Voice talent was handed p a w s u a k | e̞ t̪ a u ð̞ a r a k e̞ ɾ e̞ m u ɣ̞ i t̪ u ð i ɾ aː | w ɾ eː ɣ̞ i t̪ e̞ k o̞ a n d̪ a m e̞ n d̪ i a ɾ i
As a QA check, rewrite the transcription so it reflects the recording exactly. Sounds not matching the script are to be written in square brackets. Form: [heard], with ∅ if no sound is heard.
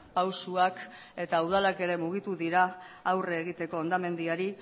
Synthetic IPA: p a w s u a k | e̞ t̪ a u ð̞ a [l] a k e̞ ɾ e̞ m u ɣ̞ i t̪ u ð i ɾ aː | w [r] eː ɣ̞ i t̪ e̞ k o̞ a n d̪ a m e̞ n d̪ i a ɾ i